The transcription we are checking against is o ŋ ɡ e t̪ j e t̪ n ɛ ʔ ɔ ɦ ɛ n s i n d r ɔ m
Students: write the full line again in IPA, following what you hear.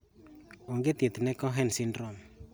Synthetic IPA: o ŋ ɡ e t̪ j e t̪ n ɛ k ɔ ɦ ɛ n s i n d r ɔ m